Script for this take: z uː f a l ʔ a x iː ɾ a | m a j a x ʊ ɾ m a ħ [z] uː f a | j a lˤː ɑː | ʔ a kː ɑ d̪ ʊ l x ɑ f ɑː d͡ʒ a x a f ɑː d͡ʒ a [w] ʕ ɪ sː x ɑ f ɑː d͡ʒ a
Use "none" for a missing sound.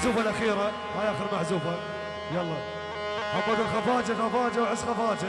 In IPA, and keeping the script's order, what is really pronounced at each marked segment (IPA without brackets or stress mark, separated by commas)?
z, w